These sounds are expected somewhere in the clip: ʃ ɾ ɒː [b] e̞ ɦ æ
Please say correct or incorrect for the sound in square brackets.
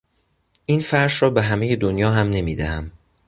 correct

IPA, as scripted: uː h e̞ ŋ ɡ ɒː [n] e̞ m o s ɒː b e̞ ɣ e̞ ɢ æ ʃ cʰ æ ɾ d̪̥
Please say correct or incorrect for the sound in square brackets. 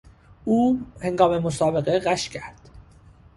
incorrect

